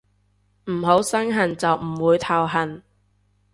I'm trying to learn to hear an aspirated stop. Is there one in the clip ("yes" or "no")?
yes